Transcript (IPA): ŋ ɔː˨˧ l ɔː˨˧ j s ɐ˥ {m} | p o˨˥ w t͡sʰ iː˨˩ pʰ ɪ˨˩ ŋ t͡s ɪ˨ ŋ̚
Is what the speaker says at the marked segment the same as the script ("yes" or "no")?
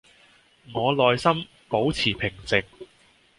yes